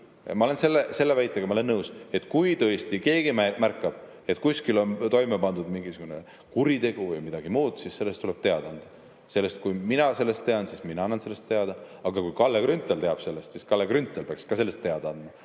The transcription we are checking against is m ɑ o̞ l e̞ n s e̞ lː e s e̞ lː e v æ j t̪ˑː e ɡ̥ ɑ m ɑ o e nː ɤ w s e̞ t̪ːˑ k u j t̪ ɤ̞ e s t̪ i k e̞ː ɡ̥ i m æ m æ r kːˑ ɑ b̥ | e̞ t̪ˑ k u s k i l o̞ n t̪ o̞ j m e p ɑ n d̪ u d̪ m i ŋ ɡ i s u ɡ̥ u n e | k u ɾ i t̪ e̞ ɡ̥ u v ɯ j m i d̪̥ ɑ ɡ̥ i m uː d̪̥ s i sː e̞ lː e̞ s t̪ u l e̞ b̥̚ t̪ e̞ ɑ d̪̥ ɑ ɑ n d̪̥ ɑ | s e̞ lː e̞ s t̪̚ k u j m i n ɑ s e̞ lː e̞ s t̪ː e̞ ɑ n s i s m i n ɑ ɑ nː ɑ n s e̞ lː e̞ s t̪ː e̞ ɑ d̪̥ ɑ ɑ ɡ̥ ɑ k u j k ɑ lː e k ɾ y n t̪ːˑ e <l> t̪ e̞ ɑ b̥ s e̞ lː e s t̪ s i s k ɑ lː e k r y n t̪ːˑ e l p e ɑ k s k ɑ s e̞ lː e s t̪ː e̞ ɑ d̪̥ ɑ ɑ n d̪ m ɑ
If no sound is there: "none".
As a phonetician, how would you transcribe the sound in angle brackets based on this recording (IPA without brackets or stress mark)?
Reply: l